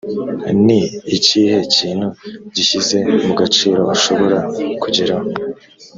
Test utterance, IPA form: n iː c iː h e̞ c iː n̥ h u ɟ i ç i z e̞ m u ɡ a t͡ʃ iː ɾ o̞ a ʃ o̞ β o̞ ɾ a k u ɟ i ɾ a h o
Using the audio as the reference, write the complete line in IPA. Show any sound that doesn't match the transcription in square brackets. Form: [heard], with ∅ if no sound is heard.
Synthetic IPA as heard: n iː c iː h e̞ c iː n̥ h u ɟ i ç i z e̞ m u ɡ a t͡ʃ iː ɾ o̞ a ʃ o̞ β o̞ ɾ a k u ɟ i ɾ a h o

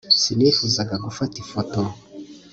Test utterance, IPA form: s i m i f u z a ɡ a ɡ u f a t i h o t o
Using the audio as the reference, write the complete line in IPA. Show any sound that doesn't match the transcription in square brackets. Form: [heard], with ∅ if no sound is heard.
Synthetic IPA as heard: s i [n] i f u z a ɡ a ɡ u f a t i [f] o t o

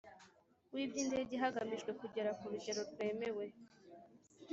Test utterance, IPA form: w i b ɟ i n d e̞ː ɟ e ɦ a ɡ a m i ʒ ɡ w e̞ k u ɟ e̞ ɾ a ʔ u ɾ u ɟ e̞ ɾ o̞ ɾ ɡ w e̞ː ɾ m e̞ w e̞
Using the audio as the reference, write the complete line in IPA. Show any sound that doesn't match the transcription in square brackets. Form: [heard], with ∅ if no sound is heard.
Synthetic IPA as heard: w i b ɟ i n d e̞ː ɟ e ɦ a ɡ a m i ʒ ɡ w e̞ k u ɟ e̞ ɾ a [k] u ɾ u ɟ e̞ ɾ o̞ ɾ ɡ w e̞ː [∅] m e̞ w e̞

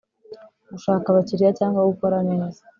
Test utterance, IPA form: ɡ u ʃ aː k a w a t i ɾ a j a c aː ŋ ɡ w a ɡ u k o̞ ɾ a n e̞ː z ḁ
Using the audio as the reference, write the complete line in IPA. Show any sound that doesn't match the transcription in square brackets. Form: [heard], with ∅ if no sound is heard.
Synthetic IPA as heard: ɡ u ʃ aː k a [β] a [c] i ɾ [i] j a c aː ŋ ɡ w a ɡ u k o̞ ɾ a n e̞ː z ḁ

